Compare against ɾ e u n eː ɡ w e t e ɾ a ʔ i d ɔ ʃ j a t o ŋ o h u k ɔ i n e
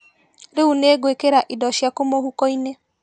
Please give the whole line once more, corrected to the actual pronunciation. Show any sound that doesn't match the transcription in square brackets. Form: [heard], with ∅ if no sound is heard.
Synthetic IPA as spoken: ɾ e u n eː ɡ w e [k] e ɾ a ʔ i d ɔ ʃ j a [k] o [m] o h u k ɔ i n e